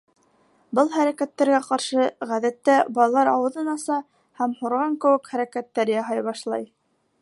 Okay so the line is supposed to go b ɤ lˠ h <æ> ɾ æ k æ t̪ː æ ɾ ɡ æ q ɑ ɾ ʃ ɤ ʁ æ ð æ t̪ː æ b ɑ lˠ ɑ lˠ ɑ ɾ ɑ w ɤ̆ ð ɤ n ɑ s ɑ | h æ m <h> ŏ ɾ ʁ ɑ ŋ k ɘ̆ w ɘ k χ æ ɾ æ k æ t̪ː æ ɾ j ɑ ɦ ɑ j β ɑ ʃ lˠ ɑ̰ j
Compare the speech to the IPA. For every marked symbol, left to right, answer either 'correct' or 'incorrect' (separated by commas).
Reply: correct, correct